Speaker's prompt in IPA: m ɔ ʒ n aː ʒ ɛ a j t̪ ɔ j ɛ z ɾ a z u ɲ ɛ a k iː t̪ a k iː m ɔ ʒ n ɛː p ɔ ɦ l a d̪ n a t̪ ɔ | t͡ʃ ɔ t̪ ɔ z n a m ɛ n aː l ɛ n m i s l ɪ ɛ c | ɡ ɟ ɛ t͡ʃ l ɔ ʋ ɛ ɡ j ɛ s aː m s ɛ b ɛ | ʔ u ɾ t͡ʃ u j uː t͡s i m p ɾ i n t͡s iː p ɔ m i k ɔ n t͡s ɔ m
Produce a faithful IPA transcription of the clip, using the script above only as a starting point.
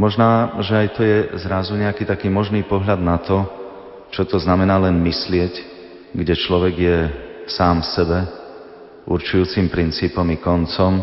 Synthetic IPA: m ɔ ʒ n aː ʒ ɛ a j t̪ ɔ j ɛ z ɾ a z u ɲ ɛ a k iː t̪ a k iː m ɔ ʒ n iː p ɔ ɦ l a d̪ n a t̪ ɔ | t͡ʃ ɔ t̪ ɔ z n a m ɛ n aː l ɛ n m i s l ɪ ɛ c | ɡ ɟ ɛ t͡ʃ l ɔ ʋ ɛ ɡ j ɛ s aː m s ɛ b ɛ | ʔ u ɾ t͡ʃ u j uː t͡s i m p ɾ i n t͡s iː p ɔ m i k ɔ n t͡s ɔ m